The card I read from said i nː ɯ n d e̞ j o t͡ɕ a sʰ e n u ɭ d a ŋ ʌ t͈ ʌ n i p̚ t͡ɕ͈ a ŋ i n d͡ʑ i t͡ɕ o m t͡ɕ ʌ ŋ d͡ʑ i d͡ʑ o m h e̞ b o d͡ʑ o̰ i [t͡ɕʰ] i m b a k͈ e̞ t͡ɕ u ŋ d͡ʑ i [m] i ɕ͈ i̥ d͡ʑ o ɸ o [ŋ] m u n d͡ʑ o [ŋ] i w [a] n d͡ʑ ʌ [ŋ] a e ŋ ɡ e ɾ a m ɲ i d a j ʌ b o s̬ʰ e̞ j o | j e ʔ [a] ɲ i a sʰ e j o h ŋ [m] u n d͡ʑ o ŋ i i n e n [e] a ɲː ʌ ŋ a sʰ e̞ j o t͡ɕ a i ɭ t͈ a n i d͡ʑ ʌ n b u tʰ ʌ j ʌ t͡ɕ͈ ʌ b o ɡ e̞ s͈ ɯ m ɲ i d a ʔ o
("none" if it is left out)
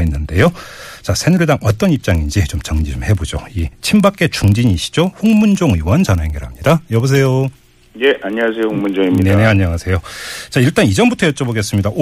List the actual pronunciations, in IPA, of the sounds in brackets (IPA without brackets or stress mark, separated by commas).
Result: t͡ɕʰ, ɲ, ŋ, ŋ, ʌ, n, a, m, e